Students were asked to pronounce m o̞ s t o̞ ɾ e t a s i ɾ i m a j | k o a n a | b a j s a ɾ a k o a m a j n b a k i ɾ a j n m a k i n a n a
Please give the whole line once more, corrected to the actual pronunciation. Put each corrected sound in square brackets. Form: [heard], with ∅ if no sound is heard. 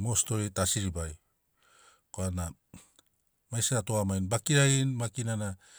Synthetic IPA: m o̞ s t o̞ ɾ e t a s i ɾ i [b] a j | k o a n a | [m] a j s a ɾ a [t] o a m a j n b a k i ɾ a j n m a k i n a n a